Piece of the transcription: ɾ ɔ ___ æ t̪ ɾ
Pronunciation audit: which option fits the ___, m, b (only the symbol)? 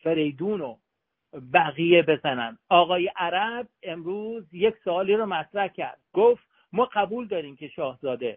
m